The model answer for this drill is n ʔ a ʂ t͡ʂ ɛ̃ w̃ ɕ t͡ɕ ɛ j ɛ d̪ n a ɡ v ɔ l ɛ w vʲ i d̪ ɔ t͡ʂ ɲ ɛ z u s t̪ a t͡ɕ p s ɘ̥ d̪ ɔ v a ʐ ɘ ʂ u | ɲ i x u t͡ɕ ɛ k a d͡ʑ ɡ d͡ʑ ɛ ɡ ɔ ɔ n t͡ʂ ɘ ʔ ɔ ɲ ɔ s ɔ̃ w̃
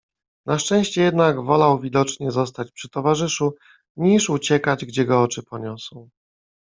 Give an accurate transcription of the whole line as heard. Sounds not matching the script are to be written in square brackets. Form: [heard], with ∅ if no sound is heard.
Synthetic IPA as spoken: n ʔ a ʂ t͡ʂ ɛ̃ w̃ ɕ t͡ɕ ɛ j ɛ d̪ n a ɡ v ɔ l [a] w vʲ i d̪ ɔ t͡ʂ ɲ ɛ z [ɔ] s t̪ a t͡ɕ p [ʂ] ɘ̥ [t̪] ɔ v a ʐ ɘ ʂ u | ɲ i [ʂ] u t͡ɕ ɛ k a d͡ʑ ɡ d͡ʑ ɛ ɡ ɔ ɔ [∅] t͡ʂ ɘ [p] ɔ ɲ ɔ s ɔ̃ w̃